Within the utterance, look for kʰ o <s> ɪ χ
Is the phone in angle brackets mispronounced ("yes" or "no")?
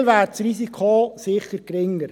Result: no